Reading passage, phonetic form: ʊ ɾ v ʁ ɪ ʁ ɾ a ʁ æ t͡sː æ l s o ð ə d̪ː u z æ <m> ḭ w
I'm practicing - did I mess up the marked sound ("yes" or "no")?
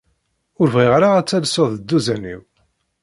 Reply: yes